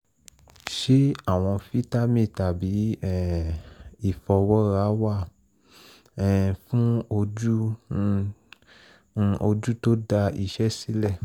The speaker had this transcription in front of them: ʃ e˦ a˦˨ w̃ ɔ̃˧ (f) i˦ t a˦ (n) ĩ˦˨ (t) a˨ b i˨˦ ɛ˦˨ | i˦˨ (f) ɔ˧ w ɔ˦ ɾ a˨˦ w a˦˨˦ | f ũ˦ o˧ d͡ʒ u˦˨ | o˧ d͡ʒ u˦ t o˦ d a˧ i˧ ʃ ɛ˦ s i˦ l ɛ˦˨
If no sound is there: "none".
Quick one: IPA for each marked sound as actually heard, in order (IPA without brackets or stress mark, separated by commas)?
f, m, t, f